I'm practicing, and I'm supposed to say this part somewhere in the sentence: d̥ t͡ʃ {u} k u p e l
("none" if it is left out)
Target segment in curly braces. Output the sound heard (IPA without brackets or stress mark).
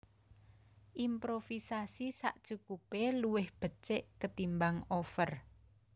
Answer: u